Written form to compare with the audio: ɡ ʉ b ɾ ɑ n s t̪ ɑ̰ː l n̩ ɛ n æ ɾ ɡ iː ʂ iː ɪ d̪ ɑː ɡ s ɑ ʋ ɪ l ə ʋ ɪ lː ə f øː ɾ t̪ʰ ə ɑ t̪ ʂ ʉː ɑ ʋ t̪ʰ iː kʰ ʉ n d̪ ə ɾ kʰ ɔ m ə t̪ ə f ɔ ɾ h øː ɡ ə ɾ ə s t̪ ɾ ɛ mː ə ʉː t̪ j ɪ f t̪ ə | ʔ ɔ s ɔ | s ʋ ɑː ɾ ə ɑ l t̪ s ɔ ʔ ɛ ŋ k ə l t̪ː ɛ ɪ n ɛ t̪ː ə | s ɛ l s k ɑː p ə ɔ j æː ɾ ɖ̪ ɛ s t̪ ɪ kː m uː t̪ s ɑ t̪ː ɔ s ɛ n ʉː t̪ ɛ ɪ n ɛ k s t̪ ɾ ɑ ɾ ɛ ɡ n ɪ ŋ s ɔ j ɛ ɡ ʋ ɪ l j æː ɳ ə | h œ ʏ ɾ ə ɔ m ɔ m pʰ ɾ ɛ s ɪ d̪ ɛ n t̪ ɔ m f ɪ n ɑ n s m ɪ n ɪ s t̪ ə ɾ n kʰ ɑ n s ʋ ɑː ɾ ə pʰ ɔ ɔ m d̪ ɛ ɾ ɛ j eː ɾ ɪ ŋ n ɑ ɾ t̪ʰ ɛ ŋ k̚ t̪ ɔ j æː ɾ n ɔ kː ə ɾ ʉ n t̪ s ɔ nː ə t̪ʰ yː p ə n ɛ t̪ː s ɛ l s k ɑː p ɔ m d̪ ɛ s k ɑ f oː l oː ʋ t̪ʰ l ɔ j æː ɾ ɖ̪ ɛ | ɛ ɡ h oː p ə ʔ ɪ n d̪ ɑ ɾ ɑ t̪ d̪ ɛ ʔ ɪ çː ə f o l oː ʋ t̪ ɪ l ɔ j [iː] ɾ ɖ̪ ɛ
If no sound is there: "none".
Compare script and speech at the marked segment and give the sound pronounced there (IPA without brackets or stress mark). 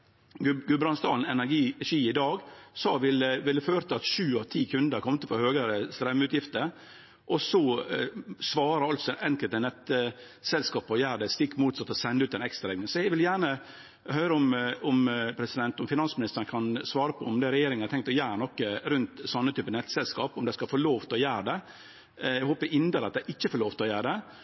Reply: æː